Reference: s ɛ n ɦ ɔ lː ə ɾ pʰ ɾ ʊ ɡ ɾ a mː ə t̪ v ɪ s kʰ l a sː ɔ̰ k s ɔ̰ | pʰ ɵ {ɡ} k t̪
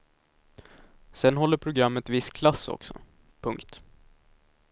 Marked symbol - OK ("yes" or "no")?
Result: no